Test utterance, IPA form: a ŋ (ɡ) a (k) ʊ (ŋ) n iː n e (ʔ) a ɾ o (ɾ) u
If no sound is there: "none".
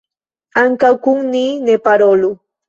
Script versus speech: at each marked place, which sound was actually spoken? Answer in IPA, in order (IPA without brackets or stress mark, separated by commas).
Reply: k, k, ŋ, p, l